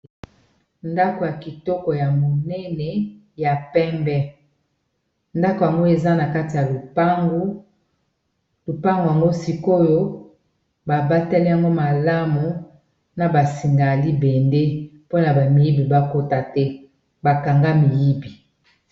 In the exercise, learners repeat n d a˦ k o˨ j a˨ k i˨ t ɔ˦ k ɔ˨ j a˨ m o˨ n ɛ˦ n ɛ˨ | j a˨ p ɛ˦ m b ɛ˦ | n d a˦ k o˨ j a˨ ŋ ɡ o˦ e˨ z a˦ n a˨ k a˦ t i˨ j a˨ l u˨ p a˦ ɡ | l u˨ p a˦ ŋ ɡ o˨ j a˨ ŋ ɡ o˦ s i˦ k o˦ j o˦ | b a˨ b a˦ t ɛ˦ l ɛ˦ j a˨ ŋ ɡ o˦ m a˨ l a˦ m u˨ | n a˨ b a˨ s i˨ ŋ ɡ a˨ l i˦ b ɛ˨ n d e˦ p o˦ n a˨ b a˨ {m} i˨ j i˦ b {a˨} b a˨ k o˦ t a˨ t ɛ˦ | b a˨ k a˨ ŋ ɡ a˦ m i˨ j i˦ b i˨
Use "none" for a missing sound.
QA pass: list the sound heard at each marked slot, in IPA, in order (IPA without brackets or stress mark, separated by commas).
m, i˨